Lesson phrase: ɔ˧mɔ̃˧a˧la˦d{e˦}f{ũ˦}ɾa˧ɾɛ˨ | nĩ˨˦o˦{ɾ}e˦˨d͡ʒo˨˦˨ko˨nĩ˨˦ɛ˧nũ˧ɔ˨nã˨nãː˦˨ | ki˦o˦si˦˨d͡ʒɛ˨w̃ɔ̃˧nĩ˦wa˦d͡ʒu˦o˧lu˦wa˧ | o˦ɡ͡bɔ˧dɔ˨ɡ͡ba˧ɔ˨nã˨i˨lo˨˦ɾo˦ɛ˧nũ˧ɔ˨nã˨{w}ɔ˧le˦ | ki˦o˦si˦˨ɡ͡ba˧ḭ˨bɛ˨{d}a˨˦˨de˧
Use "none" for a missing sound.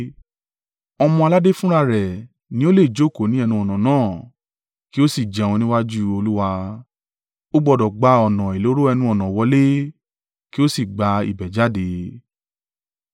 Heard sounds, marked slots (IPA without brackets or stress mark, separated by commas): e˦, ũ˦, l, w, d͡ʒ